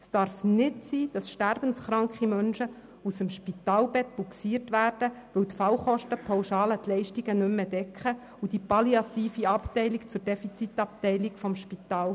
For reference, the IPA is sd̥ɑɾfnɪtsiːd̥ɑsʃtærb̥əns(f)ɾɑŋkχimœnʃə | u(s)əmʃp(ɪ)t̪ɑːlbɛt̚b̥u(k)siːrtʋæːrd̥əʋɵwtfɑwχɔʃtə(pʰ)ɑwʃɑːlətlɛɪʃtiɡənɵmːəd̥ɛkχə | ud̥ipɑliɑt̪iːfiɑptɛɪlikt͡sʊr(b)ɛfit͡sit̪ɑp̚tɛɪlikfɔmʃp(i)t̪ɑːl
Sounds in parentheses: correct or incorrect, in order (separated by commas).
incorrect, correct, incorrect, correct, correct, incorrect, correct